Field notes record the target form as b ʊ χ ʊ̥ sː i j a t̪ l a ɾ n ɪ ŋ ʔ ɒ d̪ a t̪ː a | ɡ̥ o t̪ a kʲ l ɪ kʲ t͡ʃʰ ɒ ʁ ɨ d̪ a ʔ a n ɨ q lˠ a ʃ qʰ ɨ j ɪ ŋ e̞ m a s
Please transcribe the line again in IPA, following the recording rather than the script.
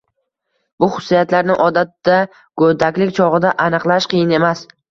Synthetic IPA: b ʊ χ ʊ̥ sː i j a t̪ l a ɾ n ɪ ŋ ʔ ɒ d̪ a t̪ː a | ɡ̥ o d̪ a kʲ l ɪ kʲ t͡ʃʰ ɒ ʁ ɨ d̪ a ʔ a n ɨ q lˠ a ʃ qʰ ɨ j ɪ n e̞ m a s